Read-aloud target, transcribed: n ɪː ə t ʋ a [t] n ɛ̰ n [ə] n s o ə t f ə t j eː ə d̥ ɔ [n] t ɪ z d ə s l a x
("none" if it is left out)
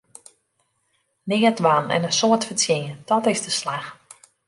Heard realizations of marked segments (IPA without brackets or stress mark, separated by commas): none, ə, none